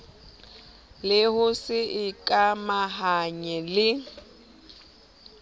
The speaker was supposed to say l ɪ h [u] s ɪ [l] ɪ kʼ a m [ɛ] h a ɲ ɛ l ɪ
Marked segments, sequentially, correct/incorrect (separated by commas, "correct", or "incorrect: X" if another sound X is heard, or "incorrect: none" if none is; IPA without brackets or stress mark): incorrect: ʊ, incorrect: none, incorrect: a